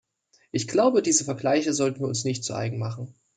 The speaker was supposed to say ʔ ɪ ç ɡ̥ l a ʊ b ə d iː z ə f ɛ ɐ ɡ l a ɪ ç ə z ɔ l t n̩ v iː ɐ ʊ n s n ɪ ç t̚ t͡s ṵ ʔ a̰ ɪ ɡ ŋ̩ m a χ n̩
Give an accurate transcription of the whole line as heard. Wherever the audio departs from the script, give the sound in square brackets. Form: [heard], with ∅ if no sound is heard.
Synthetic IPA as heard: ʔ ɪ ç ɡ̥ l a ʊ b ə d iː z ə f ɛ ɐ ɡ l a ɪ ç ə z ɔ l t n̩ v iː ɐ ʊ n s n ɪ ç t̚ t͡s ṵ ʔ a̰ ɪ ɡ ŋ̩ m a χ n̩